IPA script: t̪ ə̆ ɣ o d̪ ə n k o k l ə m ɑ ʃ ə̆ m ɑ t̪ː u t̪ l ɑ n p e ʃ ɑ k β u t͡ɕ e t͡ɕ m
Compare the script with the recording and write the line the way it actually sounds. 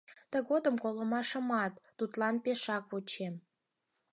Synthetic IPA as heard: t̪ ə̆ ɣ o d̪ ə m k o l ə m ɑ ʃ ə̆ m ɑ t̪ː u t̪ l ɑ n p e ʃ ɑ k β u t͡ɕ e m